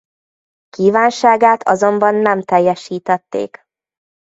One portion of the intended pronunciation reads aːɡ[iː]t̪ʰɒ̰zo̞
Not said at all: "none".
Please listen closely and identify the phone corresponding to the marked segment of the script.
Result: aː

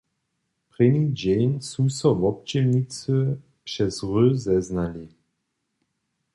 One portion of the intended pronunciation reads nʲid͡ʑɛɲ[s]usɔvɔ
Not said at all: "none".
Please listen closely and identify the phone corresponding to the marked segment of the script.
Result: s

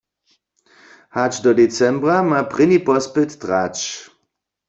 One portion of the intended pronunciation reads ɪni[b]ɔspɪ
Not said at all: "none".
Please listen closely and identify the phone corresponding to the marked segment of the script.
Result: p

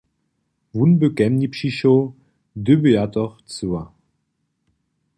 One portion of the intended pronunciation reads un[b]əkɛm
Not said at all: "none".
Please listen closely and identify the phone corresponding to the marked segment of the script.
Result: b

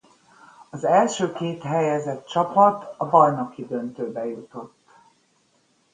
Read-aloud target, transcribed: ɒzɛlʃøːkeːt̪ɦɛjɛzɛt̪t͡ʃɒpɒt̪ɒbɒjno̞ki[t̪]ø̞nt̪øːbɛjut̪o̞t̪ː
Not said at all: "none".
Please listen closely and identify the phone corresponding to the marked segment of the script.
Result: d̪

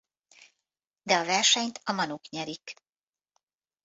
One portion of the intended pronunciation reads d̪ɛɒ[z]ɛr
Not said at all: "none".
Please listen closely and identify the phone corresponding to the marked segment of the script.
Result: v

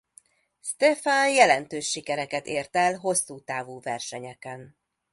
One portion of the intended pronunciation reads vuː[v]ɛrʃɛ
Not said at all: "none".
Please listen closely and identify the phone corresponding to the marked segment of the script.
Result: v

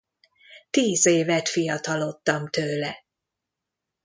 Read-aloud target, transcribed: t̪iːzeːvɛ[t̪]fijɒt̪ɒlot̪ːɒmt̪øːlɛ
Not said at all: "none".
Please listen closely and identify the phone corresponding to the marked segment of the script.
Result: t̪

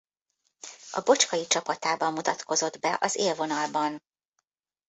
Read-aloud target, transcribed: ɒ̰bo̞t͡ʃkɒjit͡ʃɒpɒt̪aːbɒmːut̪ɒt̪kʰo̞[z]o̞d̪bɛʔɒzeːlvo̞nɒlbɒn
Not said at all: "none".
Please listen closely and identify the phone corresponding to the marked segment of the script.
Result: z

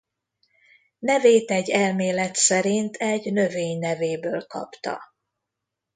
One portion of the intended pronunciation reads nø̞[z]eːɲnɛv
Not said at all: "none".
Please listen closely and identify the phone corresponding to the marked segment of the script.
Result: v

